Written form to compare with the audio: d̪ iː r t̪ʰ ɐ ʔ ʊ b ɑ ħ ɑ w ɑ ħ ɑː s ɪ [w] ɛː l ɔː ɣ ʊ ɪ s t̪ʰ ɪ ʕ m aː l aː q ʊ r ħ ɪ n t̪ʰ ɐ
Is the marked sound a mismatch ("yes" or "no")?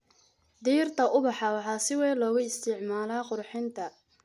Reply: no